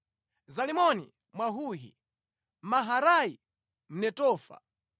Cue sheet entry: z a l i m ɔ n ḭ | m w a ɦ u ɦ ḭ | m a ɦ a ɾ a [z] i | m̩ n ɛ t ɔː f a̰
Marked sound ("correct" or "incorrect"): incorrect